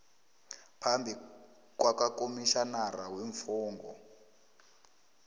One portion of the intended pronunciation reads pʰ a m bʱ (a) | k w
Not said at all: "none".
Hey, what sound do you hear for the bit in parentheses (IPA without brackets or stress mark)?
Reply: i